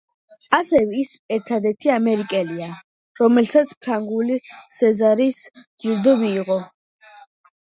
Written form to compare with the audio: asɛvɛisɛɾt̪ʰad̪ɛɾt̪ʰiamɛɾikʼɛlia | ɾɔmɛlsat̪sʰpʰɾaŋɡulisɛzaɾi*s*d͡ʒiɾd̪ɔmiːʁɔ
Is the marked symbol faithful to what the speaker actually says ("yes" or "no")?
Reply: yes